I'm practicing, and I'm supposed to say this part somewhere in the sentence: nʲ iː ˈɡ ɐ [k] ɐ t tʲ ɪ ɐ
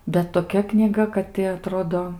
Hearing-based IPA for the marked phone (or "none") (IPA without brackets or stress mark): k